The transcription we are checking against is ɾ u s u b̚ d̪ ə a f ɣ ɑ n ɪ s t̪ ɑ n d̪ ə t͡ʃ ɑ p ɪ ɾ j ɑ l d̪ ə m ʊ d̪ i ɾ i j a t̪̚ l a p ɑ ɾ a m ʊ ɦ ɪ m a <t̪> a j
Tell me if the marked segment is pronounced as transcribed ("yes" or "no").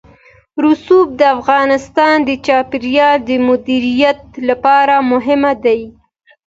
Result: no